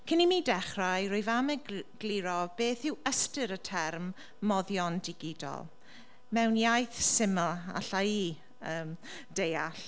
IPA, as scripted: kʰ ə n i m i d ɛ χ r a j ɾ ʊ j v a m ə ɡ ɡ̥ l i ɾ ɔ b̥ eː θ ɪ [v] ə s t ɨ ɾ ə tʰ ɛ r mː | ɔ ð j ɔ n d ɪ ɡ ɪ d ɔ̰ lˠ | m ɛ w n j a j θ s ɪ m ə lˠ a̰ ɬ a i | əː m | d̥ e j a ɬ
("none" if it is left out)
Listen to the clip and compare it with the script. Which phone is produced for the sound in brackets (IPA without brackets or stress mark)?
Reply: w